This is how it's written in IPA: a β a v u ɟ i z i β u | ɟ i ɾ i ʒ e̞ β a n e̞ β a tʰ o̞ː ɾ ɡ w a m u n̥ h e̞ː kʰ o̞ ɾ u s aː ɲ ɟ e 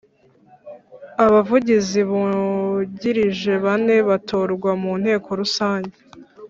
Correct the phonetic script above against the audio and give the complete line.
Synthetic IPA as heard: a β a v u ɟ i z i β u | ɟ i ɾ i ʒ e̞ β a n e̞ β a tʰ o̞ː ɾ ɡ w a m u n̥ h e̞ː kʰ o̞ ɾ u s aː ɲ ɟ e